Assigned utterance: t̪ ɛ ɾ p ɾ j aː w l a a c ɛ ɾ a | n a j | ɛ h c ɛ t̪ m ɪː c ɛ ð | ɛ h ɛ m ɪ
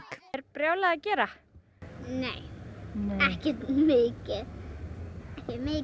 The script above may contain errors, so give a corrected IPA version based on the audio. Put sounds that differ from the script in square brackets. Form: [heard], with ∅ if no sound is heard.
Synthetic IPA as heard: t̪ ɛ ɾ p ɾ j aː w l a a c [ɛː] ɾ a | n [e] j | ɛ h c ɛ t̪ m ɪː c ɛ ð | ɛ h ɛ m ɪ